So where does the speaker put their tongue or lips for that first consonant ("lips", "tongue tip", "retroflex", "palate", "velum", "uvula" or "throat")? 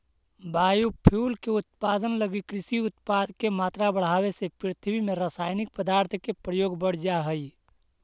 lips